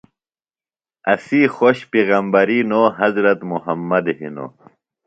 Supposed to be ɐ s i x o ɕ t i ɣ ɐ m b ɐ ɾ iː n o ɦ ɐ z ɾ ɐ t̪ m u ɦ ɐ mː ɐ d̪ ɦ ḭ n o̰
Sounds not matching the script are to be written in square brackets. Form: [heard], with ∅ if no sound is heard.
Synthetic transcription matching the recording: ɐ s i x o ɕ [p] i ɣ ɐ m b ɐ ɾ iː n o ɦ ɐ z ɾ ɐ t̪ m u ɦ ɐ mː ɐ d̪ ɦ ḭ n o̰